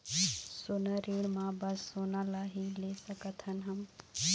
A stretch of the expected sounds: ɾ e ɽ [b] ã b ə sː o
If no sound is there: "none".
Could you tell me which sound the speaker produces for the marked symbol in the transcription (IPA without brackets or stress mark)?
m